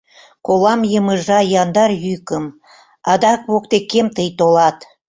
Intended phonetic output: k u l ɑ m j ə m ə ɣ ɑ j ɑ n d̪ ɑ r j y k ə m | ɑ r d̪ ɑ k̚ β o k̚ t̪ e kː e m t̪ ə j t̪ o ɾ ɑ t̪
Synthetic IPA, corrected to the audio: k o l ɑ m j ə m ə ʒ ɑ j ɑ n d̪ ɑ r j y k ə m | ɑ d̪ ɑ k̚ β o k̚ t̪ e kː e m t̪ ə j t̪ o l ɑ t̪